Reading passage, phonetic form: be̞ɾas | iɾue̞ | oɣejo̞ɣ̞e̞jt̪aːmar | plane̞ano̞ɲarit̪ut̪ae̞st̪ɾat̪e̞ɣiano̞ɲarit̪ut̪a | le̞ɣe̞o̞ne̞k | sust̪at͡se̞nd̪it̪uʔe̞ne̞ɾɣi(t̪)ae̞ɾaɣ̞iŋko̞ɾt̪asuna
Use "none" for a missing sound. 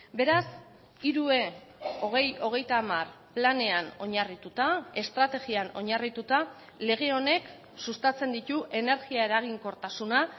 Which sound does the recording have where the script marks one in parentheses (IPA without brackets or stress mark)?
none